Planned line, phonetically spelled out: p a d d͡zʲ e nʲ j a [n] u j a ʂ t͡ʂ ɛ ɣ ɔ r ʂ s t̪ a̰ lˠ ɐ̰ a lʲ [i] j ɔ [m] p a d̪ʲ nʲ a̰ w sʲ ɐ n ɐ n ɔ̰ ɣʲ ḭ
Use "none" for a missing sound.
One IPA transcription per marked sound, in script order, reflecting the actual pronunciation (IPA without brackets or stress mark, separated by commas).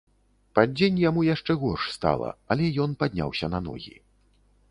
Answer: m, ɛ, n